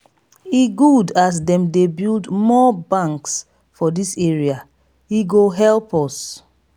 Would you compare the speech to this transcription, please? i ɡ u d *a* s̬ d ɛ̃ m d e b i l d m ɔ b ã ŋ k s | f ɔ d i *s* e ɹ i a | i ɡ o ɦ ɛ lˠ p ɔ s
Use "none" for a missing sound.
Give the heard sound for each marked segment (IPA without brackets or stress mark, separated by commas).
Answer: a, s